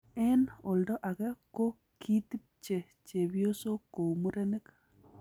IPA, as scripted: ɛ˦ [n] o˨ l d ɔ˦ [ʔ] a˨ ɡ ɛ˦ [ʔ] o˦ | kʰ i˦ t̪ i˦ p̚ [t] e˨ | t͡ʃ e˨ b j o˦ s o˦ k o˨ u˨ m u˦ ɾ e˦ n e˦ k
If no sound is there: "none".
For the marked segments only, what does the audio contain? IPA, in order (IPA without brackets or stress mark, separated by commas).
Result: n, ʔ, k, t͡ʃ